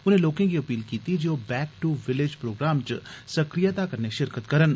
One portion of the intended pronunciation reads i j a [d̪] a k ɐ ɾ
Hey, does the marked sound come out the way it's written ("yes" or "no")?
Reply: no